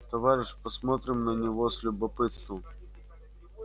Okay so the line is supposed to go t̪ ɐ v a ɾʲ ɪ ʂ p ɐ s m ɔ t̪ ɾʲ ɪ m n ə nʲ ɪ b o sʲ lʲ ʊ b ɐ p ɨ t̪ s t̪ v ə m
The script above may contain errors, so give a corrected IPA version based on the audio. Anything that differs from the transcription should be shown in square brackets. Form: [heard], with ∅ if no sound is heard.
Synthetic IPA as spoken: t̪ ɐ v a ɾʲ ɪ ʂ p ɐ s m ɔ t̪ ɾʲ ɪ m n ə nʲ ɪ [v] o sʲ lʲ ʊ b ɐ p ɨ t̪ s t̪ v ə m